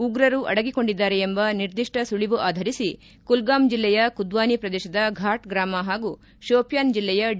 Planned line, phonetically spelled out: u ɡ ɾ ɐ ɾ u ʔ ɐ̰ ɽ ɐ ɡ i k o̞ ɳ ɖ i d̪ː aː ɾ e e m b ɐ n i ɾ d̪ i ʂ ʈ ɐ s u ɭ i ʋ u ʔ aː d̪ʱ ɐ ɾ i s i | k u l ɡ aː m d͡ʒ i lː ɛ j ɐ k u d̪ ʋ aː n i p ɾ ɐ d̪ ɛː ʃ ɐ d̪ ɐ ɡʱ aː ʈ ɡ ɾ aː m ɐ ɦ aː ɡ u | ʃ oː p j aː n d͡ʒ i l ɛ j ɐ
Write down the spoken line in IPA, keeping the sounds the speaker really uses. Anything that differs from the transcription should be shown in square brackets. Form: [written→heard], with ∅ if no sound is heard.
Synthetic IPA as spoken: u ɡ ɾ ɐ ɾ u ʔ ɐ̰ ɽ ɐ ɡ i k o̞ ɳ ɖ i d̪ː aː ɾ e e m b ɐ n i ɾ d̪ i ʂ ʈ ɐ s u ɭ i ʋ u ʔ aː d̪ʱ ɐ ɾ i s i | k u l ɡ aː m d͡ʒ i lː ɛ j ɐ k u d̪ ʋ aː n i p ɾ ɐ d̪ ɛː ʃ ɐ d̪ ɐ ɡʱ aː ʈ ɡ ɾ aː m ɐ ɦ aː ɡ u | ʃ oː p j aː n d͡ʒ i [l→lː] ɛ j ɐ